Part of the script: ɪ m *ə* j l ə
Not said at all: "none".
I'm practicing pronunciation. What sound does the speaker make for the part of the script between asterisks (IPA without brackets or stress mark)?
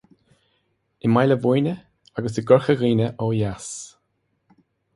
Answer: a